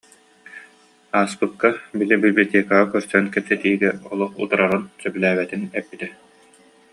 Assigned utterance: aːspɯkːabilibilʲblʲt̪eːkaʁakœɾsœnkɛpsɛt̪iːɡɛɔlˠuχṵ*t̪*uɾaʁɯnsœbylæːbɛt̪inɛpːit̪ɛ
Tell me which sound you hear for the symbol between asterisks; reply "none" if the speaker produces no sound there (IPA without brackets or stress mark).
t̪